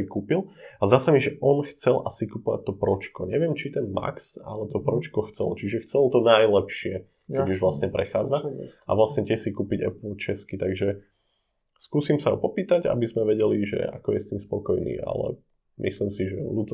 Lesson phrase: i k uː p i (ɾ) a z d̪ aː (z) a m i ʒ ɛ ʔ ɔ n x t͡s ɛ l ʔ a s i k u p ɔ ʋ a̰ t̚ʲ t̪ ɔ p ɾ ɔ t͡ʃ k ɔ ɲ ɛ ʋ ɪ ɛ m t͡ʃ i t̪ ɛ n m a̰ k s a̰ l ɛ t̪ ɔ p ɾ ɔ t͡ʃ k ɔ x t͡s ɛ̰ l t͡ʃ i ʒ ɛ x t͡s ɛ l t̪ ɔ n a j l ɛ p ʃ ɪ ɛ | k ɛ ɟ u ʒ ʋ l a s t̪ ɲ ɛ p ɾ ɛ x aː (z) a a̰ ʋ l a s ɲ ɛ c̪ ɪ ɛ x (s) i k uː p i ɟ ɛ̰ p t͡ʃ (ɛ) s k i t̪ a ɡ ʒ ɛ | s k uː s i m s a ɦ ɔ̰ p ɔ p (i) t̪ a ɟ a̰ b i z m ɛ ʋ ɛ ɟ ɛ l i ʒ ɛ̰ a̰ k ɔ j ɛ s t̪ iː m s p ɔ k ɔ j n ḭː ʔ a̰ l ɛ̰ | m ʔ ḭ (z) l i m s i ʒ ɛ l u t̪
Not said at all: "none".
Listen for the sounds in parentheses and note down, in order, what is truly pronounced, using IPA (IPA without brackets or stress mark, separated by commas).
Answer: l, s, d͡z, s, ɛ, iː, s